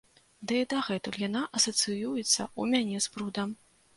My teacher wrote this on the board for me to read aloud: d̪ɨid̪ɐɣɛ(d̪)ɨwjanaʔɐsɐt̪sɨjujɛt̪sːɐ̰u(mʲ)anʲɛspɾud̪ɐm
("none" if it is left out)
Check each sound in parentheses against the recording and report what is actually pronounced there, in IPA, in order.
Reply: t̪, mʲ

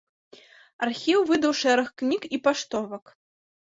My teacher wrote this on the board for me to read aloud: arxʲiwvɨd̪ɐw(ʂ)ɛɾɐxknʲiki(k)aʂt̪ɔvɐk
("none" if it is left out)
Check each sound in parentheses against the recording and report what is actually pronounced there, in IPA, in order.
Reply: ʂ, p

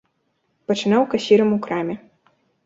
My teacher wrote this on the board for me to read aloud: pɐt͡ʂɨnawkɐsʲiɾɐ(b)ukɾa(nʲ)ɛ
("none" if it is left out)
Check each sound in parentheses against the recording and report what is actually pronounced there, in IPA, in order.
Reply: m, mʲ

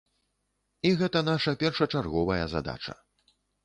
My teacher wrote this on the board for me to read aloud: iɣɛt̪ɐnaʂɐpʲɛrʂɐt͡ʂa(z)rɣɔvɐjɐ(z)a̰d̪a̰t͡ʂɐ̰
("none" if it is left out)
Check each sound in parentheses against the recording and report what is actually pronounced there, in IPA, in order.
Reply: none, z

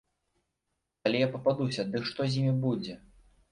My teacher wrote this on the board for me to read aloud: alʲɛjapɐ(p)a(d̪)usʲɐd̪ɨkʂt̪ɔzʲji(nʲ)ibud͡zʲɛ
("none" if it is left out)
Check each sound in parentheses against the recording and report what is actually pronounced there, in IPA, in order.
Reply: p, d̪, mʲ

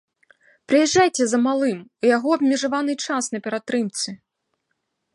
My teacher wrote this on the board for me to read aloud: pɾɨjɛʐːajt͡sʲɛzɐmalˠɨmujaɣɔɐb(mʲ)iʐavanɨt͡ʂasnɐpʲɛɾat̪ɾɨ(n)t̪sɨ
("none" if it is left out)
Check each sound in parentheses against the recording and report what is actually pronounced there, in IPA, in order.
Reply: mʲ, m

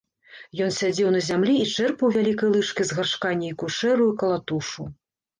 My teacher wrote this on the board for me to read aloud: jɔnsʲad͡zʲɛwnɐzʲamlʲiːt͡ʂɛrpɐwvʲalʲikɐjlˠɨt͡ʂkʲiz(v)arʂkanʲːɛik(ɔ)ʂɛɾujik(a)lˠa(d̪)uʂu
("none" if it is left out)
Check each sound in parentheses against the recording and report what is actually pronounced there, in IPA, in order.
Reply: ɣ, u, ɐ, t̪

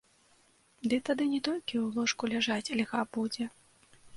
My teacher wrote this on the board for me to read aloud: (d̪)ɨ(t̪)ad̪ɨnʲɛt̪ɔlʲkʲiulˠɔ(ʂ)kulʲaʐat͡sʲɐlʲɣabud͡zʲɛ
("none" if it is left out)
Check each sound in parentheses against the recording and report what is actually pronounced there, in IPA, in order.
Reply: d̪, t̪, ʂ

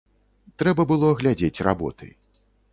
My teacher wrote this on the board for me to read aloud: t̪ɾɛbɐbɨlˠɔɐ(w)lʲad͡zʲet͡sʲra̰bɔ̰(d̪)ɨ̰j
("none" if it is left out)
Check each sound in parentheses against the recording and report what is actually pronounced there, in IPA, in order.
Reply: ɣ, t̪

